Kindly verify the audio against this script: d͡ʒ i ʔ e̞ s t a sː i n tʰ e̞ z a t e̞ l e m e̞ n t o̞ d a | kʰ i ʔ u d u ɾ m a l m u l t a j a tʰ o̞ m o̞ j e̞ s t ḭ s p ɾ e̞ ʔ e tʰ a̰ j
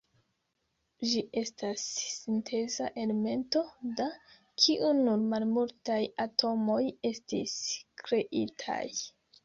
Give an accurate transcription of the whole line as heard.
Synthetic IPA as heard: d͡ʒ i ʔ e̞ s t a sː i n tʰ e̞ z a ʔ e̞ l e m e̞ n t o̞ d a | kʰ i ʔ u n u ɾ m a l m u l t a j a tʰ o̞ m o̞ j e̞ s t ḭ s k ɾ e̞ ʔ i tʰ a̰ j